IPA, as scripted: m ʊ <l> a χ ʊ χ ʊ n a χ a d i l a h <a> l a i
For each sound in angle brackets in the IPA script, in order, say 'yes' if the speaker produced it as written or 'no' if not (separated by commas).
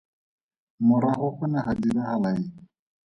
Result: no, yes